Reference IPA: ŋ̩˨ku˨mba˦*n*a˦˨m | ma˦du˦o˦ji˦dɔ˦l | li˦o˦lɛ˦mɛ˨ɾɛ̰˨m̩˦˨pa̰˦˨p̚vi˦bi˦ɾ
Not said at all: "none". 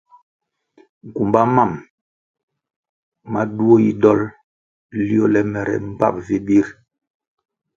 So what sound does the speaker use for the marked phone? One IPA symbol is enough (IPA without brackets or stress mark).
m